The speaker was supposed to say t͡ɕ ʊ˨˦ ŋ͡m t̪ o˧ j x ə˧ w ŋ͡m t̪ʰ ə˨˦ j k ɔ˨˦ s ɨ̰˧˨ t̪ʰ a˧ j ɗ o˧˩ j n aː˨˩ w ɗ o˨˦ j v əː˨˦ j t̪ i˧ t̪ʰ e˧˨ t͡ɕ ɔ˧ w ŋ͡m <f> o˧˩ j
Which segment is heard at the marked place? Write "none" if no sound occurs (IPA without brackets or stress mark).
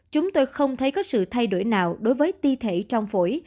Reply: f